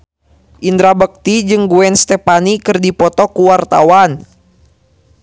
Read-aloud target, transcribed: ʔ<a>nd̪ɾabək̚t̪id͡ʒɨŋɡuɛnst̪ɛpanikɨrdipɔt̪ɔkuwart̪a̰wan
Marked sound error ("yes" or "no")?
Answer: yes